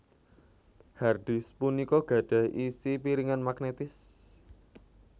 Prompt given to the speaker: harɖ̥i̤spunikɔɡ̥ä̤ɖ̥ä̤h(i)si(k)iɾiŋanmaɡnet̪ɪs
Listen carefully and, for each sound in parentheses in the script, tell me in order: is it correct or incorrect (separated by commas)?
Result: correct, incorrect